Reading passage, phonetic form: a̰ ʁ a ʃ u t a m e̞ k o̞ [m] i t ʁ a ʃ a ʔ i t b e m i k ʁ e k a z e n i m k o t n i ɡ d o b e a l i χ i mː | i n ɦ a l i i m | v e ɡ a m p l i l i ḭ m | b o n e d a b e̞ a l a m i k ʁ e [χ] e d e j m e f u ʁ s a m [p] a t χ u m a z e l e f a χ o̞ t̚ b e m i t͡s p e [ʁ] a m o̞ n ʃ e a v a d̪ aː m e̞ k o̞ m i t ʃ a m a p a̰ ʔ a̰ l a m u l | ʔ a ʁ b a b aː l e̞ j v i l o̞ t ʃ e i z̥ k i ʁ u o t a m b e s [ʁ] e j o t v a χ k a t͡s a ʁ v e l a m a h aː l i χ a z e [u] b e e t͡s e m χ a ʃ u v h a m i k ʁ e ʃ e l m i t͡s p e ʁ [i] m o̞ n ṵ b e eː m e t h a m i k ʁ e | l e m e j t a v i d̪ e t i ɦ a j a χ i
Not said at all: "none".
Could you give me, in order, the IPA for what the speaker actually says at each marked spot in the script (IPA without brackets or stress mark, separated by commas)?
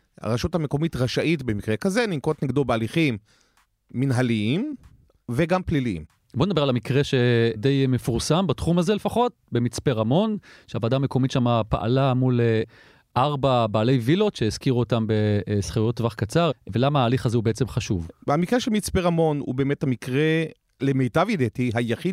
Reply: m, ʃ, b, ʁ, χ, u, a